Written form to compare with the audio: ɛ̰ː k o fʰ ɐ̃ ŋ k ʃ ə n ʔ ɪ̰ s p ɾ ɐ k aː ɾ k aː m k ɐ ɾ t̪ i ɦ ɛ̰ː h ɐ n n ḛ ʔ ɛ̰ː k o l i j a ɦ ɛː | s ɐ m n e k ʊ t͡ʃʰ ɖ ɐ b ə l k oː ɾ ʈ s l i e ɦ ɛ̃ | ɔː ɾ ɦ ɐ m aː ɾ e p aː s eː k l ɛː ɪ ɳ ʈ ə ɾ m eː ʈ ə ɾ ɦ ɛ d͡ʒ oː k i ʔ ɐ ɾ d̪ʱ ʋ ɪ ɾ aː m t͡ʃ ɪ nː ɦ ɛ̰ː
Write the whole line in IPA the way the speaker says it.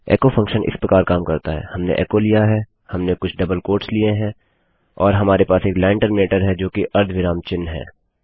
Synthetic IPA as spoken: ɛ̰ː k o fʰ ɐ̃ ŋ k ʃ ə n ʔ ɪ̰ s p ɾ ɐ k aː ɾ k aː m k ɐ ɾ t̪ a ɦ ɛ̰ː h ɐ m n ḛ ʔ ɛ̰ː k o l i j a ɦ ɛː | h ɐ m n e k ʊ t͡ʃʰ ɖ ɐ b ə l k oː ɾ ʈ s l i e ɦ ɛ̃ | ɔː ɾ ɦ ɐ m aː ɾ e p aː s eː k l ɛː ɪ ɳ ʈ ə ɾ m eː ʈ ə ɾ ɦ ɛ d͡ʒ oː k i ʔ ɐ ɾ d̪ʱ ʋ ɪ ɾ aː m t͡ʃ ɪ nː ɦ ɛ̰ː